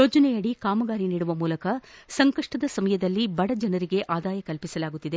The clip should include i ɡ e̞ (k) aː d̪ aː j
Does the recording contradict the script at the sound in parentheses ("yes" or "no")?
yes